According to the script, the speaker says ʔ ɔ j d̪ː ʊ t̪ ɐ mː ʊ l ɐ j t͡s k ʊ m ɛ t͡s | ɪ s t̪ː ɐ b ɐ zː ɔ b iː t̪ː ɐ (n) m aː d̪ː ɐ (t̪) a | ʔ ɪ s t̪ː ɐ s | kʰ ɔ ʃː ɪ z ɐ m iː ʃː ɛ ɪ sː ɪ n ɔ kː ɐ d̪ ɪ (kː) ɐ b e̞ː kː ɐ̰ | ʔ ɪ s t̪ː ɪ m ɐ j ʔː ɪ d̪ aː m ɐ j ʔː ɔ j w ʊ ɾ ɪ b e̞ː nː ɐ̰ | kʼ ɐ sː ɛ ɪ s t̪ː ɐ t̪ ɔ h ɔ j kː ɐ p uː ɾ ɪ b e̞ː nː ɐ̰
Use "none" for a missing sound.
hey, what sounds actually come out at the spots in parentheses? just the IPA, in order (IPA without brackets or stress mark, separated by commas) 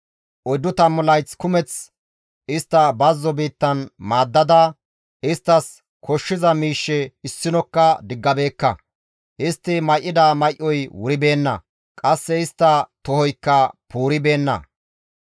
n, d̪, ɡː